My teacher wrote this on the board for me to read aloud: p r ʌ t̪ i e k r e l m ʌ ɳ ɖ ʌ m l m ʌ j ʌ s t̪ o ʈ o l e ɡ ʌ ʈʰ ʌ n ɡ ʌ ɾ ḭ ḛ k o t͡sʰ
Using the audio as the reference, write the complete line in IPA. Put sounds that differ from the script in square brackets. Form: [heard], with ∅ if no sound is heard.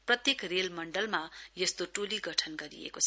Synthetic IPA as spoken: p r ʌ t̪ [j] e k r e l m ʌ ɳ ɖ ʌ [∅] l m [a] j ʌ s t̪ o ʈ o l [i] ɡ ʌ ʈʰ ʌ n ɡ ʌ ɾ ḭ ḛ k o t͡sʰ